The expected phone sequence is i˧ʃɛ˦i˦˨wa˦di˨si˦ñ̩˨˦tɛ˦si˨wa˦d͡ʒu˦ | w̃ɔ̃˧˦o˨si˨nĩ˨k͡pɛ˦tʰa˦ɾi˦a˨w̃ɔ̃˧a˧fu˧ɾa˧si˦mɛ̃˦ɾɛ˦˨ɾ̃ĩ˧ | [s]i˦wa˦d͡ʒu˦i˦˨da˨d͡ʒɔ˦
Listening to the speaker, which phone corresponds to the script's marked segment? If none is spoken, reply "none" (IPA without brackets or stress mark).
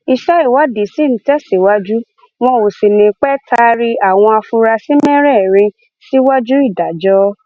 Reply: s